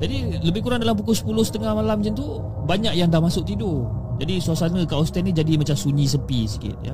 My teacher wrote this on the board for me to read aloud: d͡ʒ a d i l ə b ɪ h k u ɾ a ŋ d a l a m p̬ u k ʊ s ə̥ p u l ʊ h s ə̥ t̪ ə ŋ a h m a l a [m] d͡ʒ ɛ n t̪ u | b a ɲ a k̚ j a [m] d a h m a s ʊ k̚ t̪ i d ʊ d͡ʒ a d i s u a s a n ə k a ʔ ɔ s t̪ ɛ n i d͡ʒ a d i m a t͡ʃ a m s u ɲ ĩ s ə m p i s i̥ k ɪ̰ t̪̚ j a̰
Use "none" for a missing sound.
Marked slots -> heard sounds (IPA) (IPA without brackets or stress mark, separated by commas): m, ŋ